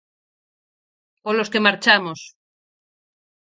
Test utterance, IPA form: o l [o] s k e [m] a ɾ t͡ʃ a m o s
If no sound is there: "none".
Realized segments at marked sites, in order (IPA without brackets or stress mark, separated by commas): o, m